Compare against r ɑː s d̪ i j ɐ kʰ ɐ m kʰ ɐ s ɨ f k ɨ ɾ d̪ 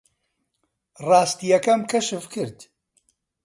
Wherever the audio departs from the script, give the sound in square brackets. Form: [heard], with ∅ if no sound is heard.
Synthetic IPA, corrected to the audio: r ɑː s [t̪] i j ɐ [k] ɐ m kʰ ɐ [ʃ] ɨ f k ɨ ɾ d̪